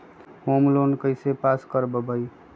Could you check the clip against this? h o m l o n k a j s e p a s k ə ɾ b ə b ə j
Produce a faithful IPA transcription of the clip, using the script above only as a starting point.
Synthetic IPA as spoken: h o m l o n k ə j s e p a s k ə ɾ b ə b ə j